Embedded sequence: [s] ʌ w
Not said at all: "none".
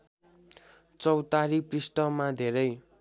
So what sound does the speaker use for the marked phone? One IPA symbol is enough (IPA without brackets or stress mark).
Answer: t͡s